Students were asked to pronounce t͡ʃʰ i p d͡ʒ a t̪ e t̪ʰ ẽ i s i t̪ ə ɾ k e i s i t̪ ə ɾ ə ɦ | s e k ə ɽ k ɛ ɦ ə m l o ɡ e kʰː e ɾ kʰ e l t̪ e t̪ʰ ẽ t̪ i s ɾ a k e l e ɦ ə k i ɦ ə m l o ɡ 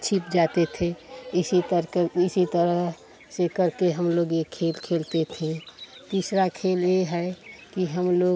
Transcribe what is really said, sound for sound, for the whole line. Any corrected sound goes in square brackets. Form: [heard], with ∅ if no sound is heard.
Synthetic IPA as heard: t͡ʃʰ i p d͡ʒ a t̪ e t̪ʰ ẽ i s i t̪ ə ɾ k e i s i t̪ ə ɾ ə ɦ | s e k ə [ɾ] k [e] ɦ ə m l o ɡ e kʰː e [l] kʰ e l t̪ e t̪ʰ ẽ t̪ i s ɾ a [kʰ] e l e ɦ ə k i ɦ ə m l o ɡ